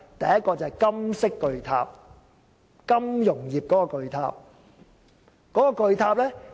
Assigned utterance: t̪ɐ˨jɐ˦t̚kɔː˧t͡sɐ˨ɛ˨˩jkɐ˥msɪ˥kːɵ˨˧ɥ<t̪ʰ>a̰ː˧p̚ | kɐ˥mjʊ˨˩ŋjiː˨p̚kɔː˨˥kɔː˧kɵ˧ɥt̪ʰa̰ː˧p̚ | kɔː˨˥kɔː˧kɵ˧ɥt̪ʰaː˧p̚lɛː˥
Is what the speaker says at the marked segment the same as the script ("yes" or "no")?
yes